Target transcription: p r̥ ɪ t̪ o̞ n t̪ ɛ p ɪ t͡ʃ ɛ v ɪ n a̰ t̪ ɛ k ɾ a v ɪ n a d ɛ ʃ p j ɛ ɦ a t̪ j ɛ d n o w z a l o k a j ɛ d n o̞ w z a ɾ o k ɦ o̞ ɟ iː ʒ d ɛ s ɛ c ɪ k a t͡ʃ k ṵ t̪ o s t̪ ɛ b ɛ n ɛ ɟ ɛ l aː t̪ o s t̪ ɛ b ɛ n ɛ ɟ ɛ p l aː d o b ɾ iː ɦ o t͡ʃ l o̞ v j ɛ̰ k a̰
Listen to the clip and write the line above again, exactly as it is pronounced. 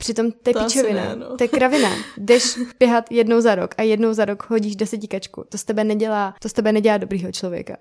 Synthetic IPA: p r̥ ɪ t̪ o̞ m t̪ ɛ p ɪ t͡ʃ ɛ v ɪ n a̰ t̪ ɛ k ɾ a v ɪ n a d ɛ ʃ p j ɛ ɦ a t̪ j ɛ d n o w z a ɾ o k a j ɛ d n o̞ w z a ɾ o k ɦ o̞ ɟ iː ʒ d ɛ s ɛ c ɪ k a t͡ʃ k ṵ t̪ o s t̪ ɛ b ɛ n ɛ ɟ ɛ l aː t̪ o s t̪ ɛ b ɛ n ɛ ɟ ɛ l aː d o b ɾ iː ɦ o t͡ʃ l o̞ v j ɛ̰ k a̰